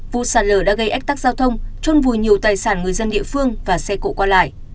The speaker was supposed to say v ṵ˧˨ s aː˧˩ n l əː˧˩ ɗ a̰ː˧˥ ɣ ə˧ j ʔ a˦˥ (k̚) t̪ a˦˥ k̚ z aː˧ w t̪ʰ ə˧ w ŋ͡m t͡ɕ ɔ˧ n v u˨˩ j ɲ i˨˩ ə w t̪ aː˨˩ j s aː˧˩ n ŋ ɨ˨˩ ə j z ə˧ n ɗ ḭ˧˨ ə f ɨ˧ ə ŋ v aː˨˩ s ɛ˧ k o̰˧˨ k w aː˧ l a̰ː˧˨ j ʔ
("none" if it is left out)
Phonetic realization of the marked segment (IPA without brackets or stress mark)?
k̚